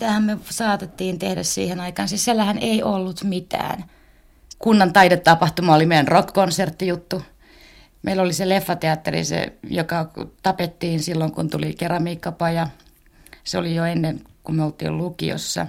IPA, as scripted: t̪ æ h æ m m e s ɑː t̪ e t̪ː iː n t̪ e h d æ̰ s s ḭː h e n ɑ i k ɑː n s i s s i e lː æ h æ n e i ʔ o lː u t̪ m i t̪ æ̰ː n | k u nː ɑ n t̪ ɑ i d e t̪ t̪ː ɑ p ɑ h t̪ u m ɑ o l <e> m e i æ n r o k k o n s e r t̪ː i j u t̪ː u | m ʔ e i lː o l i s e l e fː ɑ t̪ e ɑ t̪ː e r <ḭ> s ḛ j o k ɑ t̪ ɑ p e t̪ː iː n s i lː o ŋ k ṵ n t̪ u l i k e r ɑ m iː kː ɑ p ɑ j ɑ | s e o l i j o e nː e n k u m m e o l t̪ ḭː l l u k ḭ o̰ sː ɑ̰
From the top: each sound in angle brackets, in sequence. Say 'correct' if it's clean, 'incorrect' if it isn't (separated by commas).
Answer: incorrect, correct